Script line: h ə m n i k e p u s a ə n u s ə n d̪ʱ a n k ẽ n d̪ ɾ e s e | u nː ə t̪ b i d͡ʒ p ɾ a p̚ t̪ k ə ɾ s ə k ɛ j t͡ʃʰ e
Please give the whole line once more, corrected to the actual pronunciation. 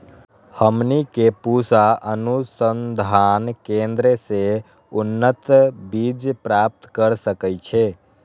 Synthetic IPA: h ə m n i k e p u s a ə n u s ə n d̪ʱ a n k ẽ n d̪ ɾ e s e | u nː ə t̪ b i d͡ʒ p ɾ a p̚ t̪ k ə ɾ s ə k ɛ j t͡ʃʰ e